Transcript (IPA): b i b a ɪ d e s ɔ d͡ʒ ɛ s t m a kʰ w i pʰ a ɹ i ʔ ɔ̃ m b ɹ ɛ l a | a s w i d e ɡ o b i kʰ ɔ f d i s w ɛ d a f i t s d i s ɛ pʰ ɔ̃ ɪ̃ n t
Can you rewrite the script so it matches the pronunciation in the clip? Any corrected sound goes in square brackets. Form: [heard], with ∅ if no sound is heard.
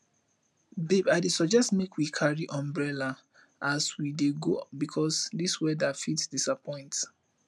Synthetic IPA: b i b a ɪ d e s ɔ d͡ʒ ɛ s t m [e] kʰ w i [kʰ] a ɹ i ʔ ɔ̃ m b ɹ ɛ l a | a s w i d e ɡ o b i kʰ ɔ [s] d i s w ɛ d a f i t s d i s [a] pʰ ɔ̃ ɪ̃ n t